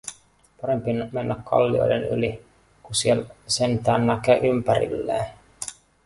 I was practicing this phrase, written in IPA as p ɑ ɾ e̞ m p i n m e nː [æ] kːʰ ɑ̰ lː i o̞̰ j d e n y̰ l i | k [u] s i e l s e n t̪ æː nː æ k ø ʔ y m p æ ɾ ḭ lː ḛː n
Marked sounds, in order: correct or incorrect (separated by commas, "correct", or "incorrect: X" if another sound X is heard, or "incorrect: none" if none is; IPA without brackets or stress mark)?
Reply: correct, correct